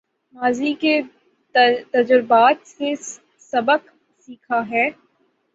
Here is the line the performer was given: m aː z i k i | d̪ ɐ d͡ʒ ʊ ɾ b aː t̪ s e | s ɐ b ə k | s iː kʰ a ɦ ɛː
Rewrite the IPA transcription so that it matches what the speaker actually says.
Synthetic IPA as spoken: m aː z i k e | t̪ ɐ d͡ʒ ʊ ɾ b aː t̪ s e | s ɐ b ə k | s iː kʰ a ɦ ɛː

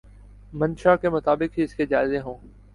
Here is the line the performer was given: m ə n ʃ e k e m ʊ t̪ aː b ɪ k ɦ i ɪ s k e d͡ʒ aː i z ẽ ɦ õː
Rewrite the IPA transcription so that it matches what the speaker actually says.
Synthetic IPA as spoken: m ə n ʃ a k e m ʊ t̪ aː b ɪ k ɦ i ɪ s k e d͡ʒ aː ɪ z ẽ ɦ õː

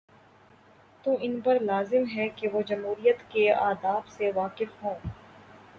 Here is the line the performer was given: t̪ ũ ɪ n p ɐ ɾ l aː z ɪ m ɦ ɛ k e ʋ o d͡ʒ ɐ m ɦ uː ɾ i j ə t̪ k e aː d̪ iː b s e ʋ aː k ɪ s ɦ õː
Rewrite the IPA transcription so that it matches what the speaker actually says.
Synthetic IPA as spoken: t̪ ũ ɪ n p ɐ ɾ l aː z ɪ m ɦ ɛ k e ʋ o d͡ʒ ɐ m ɦ uː ɾ i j ə t̪ k e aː d̪ aː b s e ʋ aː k ɪ f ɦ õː

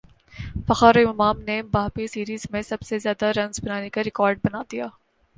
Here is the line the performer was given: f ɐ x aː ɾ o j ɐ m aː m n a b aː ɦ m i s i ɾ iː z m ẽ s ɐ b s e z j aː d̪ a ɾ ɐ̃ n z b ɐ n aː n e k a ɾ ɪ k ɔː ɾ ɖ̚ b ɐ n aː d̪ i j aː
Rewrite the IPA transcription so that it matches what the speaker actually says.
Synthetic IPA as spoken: f ɐ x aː ɾ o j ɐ m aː m n e b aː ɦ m i s iː ɾ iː z m ẽ s ɐ b s e z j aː d̪ a ɾ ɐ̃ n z b ɐ n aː n e k a ɾ ɪ k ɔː ɾ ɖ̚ b ɐ n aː d̪ i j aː

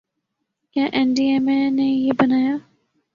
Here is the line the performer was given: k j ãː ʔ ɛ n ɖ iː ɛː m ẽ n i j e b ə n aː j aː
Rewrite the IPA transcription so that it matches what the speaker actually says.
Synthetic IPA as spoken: k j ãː ʔ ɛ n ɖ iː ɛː m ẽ n e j e b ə n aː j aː

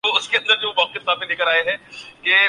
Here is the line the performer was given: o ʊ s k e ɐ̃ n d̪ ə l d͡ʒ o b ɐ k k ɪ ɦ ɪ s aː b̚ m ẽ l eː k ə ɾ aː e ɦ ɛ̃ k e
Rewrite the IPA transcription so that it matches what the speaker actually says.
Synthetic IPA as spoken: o ʊ s k e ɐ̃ n d̪ ə ɾ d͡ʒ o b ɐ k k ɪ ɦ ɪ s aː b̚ m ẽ l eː k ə ɾ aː e ɦ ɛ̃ k e

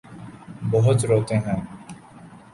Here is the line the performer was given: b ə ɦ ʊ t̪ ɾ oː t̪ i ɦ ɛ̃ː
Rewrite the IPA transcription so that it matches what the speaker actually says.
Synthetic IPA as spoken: b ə ɦ ʊ t̪ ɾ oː t̪ e ɦ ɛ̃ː

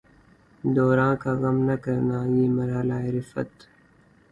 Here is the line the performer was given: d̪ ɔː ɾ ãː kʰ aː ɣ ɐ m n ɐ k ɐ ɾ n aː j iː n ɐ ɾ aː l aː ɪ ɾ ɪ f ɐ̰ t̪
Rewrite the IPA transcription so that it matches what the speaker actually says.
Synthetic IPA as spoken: d̪ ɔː ɾ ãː k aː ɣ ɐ m n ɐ k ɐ ɾ n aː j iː m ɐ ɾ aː l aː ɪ ɾ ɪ f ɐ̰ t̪

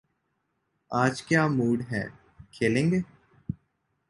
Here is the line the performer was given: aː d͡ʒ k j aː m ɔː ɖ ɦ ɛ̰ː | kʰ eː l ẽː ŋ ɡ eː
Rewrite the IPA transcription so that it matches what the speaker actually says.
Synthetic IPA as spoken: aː d͡ʒ k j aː m uː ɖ ɦ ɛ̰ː | kʰ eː l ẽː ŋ ɡ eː

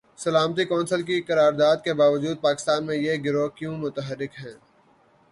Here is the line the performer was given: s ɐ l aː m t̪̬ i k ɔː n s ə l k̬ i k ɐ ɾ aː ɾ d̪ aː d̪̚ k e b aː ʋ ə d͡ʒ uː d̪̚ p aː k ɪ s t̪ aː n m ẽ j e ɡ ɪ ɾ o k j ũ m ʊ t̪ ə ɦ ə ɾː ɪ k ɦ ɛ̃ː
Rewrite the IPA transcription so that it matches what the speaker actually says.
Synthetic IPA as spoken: s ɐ l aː m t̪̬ i k ɔː n s ə l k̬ i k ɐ ɾ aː ɾ d̪ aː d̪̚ k e b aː ʋ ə d͡ʒ uː d̪̚ p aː k ɪ s t̪ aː n m ẽ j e ɡ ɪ ɾ o k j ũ m ʊ t̪ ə ɦ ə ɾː ɪ k ɦ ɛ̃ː

